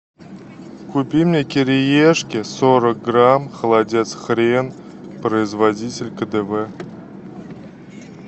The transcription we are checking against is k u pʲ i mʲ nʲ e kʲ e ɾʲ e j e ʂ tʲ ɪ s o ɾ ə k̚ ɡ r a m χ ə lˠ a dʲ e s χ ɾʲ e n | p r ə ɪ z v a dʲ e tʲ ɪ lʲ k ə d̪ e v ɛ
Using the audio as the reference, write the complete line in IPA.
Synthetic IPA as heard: k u pʲ i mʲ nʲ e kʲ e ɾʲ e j e ʂ kʲ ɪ s o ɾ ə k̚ ɡ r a m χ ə lˠ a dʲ e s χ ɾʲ e n | p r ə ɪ z v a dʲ i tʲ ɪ lʲ k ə d̪ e v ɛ

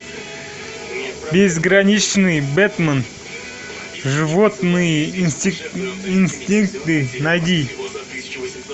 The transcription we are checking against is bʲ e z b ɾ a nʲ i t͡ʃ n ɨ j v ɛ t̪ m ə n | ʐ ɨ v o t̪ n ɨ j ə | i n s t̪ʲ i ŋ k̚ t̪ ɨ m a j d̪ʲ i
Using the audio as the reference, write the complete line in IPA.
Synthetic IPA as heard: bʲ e z ɡ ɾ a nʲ i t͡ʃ n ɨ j b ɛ t̪ m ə n | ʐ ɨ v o t̪ n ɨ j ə | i n s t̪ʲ i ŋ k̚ t̪ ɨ n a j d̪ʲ i

